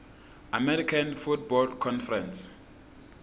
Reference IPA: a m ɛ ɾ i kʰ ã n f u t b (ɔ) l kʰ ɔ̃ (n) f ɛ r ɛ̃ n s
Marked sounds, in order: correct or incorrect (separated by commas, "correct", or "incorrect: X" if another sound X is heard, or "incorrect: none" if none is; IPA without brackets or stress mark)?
correct, correct